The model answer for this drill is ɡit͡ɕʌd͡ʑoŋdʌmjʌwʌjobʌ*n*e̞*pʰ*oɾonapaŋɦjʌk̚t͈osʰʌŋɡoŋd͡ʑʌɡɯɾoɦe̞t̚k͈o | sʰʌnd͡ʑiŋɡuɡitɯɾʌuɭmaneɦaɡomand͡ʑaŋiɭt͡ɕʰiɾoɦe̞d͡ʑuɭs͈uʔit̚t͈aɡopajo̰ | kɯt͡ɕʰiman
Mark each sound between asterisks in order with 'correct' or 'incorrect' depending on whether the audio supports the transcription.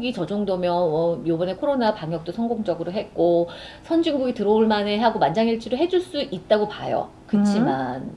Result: correct, incorrect: kʰ

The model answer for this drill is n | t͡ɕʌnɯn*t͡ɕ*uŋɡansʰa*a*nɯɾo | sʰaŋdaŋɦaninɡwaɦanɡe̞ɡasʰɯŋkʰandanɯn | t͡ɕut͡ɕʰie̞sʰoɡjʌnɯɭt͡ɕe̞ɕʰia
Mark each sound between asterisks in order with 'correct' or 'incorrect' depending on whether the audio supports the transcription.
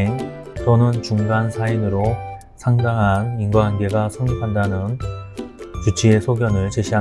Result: correct, incorrect: i

